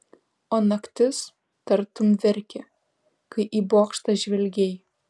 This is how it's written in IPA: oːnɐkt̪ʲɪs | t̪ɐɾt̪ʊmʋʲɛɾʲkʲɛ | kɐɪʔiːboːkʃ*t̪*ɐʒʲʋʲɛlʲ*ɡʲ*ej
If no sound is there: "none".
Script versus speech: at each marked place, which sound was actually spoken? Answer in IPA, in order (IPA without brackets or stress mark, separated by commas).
t̪, ɡʲ